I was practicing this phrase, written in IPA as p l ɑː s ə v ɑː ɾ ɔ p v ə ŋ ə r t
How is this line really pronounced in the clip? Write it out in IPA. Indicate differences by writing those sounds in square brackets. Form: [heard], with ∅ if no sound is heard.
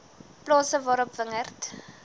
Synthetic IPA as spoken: p l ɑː s ə v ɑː ɾ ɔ p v ə ŋ ə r t